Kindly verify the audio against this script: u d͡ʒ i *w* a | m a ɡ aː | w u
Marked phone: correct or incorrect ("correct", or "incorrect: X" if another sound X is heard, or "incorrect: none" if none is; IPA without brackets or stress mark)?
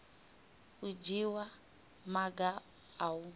correct